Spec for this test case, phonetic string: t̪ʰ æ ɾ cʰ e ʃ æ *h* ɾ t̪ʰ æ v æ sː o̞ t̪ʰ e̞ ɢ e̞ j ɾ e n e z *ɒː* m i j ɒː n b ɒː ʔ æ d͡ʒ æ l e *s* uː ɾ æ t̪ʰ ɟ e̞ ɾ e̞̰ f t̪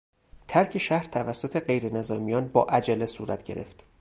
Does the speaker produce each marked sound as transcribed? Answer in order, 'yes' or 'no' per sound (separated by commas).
yes, yes, yes